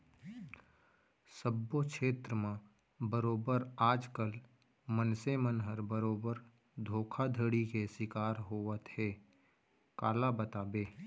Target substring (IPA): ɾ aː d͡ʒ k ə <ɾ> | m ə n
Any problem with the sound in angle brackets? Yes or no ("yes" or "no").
yes